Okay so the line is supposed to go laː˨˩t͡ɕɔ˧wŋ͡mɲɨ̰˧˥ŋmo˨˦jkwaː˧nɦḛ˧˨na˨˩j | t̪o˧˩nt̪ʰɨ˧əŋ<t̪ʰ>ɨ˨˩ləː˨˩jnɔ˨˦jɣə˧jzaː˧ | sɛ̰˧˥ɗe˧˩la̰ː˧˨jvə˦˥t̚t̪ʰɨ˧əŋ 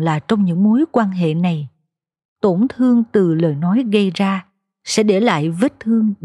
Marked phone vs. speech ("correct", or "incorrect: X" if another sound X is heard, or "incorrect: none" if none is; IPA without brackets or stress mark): incorrect: t̪